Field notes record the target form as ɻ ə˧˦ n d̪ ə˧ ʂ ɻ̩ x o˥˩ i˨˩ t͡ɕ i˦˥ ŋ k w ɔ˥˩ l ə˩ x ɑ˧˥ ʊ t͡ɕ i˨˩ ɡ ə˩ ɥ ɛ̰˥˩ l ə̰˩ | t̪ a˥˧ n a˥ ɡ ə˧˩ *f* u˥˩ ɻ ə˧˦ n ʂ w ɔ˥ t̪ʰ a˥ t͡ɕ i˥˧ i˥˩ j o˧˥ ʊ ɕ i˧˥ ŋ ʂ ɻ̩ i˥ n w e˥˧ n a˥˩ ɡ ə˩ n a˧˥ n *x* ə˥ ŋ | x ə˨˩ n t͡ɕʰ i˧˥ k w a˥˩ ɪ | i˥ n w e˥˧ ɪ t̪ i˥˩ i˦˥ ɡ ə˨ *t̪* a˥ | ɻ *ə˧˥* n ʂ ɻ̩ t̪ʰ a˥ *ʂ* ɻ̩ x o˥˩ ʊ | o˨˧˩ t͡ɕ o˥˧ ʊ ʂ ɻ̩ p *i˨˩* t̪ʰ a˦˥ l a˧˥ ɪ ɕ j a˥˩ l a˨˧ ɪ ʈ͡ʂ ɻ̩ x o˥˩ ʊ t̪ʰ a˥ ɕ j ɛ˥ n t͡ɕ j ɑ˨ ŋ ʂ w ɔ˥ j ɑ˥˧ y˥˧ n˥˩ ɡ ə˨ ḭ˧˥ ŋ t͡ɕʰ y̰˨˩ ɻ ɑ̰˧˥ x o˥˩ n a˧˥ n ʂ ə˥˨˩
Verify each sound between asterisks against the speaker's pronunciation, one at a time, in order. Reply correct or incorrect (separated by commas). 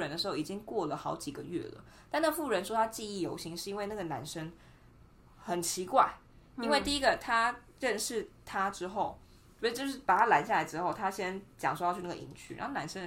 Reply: correct, incorrect, incorrect, incorrect, incorrect, incorrect